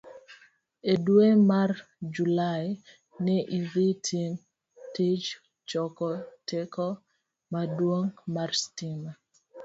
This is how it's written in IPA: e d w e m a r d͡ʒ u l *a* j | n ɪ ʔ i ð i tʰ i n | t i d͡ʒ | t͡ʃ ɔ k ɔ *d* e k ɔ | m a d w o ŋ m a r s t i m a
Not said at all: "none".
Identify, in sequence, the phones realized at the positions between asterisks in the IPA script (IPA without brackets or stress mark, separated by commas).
a, t